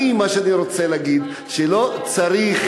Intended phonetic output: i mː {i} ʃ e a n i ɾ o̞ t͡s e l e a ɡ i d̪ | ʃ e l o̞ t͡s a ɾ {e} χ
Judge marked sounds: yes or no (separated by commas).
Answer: no, no